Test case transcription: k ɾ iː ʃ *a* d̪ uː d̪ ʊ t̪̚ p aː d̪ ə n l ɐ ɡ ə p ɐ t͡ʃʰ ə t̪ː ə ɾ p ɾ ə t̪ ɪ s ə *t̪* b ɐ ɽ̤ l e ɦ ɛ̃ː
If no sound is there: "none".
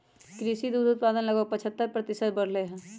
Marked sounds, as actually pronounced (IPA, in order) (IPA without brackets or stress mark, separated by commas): i, t̪